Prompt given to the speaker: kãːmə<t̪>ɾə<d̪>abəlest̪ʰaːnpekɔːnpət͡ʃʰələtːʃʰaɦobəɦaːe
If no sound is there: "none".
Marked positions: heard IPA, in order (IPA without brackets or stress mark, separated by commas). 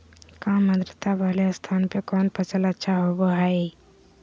d̪, t̪